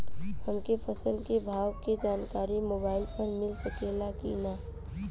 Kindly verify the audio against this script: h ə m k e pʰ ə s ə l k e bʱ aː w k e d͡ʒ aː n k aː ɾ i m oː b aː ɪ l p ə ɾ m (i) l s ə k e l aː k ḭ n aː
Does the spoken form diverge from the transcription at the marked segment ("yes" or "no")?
yes